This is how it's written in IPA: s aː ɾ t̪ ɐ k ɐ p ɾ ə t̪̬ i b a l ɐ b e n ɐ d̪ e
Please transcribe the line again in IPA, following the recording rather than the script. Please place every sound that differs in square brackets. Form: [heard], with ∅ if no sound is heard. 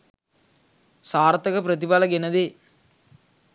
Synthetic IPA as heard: s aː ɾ t̪ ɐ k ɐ p ɾ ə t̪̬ i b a l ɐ [ɡ] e n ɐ d̪ e